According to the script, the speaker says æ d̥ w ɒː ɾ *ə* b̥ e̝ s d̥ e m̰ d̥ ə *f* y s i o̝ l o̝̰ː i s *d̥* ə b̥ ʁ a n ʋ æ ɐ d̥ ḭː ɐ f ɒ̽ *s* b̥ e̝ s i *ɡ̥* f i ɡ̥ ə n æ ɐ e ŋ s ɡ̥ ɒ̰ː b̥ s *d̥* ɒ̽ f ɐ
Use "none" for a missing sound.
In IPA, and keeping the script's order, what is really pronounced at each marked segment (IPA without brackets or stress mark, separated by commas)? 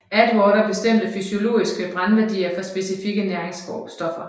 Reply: ɐ, f, ɡ̥, s, none, d̥